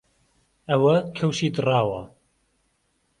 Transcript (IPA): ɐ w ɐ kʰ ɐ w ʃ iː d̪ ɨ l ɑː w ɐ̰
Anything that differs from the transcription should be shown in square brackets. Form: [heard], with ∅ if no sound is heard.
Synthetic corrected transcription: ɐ w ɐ kʰ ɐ w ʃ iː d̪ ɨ [r] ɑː w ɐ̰